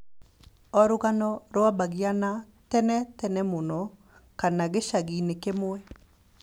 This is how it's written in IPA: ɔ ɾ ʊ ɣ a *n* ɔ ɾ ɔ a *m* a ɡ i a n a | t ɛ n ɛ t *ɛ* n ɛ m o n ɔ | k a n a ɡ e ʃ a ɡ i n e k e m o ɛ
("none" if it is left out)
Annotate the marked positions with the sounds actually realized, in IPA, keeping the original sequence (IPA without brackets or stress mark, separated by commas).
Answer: n, b, ɛ